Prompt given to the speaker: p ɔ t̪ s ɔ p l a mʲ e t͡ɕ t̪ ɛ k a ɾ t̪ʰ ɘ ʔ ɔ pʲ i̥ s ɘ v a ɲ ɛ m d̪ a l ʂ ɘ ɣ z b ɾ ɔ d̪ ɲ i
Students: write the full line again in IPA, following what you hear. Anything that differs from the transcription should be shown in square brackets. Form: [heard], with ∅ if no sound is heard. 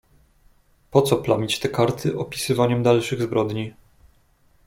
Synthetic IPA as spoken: p ɔ t̪ s ɔ p l a mʲ [i] t͡ɕ t̪ ɛ k a ɾ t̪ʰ ɘ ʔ ɔ pʲ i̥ s ɘ v a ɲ ɛ m d̪ a l ʂ ɘ ɣ z b ɾ ɔ d̪ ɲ i